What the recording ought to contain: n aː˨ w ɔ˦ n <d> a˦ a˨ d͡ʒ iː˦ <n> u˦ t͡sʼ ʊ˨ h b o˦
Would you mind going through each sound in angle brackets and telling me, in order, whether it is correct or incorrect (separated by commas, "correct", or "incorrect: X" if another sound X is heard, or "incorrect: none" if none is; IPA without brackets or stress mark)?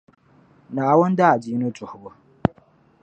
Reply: correct, correct